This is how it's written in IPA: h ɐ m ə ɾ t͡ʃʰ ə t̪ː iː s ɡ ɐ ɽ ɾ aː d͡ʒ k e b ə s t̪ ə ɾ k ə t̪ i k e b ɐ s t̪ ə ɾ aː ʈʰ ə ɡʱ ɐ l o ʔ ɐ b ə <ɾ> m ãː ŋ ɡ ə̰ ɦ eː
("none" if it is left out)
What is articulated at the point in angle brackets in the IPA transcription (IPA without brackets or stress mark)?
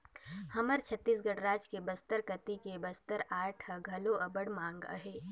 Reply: ɽ